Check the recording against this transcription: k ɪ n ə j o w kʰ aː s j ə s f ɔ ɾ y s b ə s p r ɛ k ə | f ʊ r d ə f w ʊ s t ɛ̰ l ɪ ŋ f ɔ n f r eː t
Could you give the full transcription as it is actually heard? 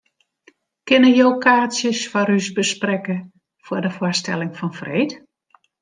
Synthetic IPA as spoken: k ɪ n ə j o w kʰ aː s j ə s f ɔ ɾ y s b ə s p r ɛ k ə | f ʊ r d ə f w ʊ s t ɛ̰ l ɪ ŋ f ɔ n f r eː t